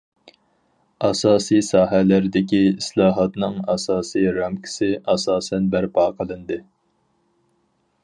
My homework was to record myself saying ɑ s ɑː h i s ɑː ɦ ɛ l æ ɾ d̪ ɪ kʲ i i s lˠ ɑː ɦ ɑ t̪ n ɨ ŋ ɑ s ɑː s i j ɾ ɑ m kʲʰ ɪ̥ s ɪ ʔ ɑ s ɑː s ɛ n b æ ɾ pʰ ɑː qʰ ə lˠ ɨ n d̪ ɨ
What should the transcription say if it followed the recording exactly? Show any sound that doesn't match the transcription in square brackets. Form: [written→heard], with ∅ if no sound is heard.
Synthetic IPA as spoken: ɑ s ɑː [h→s] i s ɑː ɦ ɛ l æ ɾ d̪ ɪ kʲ i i s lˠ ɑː ɦ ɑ t̪ n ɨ ŋ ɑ s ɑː s i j ɾ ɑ m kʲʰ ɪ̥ s ɪ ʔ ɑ s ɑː s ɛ n b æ ɾ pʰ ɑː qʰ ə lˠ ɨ n d̪ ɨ